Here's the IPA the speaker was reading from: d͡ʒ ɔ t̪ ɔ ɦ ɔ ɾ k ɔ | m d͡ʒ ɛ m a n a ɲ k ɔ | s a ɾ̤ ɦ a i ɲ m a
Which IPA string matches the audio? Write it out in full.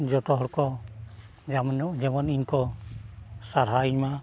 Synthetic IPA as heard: d͡ʒ ɔ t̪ ɔ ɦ ɔ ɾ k ɔ | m d͡ʒ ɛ m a n i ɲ k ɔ | s a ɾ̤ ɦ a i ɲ m a